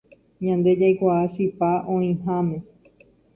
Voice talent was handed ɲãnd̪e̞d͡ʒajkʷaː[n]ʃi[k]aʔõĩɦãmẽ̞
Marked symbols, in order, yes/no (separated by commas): no, no